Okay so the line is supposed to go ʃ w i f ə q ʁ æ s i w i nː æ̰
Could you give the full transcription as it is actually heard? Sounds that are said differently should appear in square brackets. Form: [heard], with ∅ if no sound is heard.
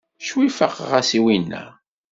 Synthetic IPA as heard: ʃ w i f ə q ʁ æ s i w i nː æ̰